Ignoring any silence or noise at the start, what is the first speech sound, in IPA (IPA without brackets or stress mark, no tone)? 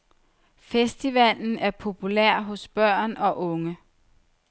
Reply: f